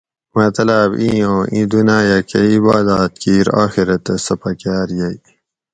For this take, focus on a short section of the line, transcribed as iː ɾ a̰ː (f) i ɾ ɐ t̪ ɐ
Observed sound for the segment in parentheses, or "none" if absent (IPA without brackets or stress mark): x